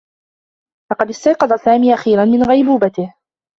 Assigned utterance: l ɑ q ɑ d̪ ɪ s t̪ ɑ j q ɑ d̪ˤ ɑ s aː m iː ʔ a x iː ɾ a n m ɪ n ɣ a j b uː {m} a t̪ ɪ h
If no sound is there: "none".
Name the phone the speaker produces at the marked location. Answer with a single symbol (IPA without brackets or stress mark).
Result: b